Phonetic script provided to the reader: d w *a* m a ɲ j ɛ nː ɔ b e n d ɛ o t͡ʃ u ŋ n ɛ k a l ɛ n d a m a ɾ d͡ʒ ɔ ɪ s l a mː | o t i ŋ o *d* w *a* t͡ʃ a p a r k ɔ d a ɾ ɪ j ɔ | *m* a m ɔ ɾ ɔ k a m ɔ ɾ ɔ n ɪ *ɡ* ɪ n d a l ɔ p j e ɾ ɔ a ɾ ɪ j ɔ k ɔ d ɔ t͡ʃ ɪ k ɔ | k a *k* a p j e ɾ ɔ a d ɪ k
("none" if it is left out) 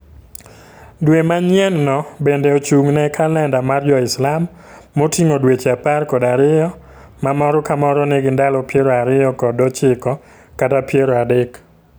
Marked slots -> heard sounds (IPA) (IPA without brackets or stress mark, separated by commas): e, d, e, m, ɡ, t